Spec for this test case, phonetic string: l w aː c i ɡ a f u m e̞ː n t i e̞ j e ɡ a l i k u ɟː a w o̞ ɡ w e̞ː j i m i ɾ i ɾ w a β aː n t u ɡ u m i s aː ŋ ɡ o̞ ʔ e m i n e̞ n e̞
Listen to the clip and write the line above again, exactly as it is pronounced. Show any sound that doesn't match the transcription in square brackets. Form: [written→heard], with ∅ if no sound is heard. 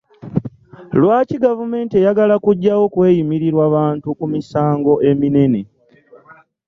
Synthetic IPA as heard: l w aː c i ɡ a [f→v] u m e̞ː n t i e̞ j [e→a] ɡ a l [i→a] k u ɟː a w o̞ [ɡ→k] w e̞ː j i m i ɾ i ɾ w a β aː n t u [ɡ→k] u m i s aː ŋ ɡ o̞ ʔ e m i n e̞ n e̞